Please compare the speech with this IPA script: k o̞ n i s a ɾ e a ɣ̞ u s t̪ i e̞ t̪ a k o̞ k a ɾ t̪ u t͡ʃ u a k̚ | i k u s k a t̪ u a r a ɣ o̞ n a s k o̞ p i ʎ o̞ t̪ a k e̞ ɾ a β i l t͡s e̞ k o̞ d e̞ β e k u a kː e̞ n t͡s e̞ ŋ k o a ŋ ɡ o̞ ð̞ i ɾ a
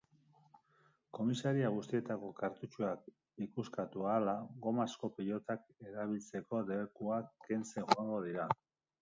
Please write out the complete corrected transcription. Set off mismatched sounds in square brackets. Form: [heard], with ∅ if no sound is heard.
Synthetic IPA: k o̞ [m] i s a ɾ [i] a ɣ̞ u s t̪ i e̞ t̪ a k o̞ k a ɾ t̪ u t͡ʃ u a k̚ | i k u s k a t̪ u a [l] a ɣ o̞ [m] a s k o̞ p i ʎ o̞ t̪ a k e̞ ɾ a β i l t͡s e̞ k o̞ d e̞ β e k u a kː e̞ n t͡s e̞ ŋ [x] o a ŋ ɡ o̞ ð̞ i ɾ a